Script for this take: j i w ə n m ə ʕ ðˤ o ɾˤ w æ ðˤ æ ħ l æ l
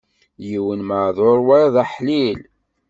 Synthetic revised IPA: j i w ə n m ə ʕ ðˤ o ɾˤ w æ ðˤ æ ħ l i l